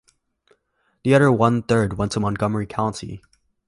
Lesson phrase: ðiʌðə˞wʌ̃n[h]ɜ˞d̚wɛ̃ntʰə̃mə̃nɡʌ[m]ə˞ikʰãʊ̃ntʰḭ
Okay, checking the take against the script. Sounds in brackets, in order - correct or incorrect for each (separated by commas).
incorrect, correct